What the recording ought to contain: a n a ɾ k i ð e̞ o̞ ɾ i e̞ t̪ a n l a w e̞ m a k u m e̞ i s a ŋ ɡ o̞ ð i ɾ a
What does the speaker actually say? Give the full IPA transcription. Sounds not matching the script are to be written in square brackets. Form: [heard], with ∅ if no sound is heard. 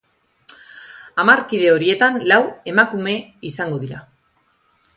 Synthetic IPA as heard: a [m] a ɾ k i ð e̞ o̞ ɾ i e̞ t̪ a n l a w e̞ m a k u m e̞ i s a ŋ ɡ o̞ ð i ɾ a